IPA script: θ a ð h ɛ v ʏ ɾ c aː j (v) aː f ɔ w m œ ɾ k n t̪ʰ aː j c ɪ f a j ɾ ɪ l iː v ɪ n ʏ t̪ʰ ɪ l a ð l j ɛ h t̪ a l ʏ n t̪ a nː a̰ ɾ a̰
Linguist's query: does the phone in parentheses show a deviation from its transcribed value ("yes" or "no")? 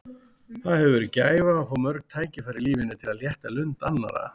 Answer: no